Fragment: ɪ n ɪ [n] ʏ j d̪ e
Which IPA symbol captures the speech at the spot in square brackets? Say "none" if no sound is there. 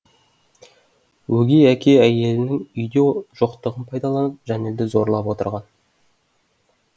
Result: ŋ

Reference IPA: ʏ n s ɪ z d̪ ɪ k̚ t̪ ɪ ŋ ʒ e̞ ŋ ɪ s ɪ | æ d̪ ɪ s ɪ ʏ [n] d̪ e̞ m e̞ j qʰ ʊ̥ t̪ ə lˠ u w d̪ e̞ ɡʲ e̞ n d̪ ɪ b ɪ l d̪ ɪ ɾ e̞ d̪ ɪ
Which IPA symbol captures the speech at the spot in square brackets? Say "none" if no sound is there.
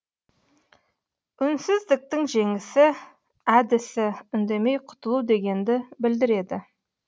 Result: n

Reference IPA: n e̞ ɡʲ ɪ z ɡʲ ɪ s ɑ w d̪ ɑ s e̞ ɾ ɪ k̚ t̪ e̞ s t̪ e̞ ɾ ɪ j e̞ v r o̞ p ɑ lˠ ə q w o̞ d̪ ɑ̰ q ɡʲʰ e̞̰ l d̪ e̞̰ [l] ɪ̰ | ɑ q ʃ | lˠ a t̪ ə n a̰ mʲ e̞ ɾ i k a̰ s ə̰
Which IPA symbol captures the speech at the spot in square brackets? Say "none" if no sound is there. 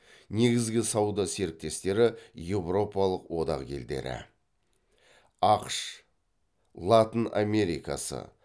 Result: ɾ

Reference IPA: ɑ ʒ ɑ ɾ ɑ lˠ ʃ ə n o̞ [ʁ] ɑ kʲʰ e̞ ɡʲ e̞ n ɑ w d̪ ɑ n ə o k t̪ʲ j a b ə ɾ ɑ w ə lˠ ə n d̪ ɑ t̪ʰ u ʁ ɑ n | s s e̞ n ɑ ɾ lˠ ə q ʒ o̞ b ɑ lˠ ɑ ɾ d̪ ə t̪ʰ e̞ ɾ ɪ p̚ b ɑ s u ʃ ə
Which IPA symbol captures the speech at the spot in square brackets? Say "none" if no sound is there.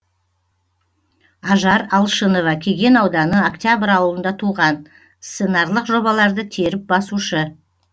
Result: v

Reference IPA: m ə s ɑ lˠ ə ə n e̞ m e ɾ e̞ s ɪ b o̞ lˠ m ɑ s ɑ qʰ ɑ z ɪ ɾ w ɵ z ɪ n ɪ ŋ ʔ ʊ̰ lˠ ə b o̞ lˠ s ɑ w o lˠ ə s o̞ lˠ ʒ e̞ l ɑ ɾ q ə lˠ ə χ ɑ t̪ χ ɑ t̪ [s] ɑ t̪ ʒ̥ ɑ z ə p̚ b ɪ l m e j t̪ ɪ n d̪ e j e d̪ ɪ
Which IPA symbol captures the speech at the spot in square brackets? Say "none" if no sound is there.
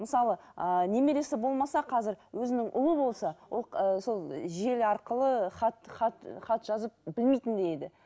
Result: χ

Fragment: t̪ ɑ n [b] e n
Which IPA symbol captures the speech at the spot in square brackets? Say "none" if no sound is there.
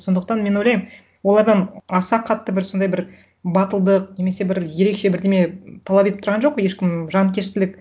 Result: m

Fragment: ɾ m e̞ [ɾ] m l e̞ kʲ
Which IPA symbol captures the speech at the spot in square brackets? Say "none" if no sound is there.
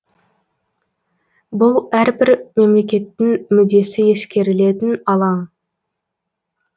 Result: none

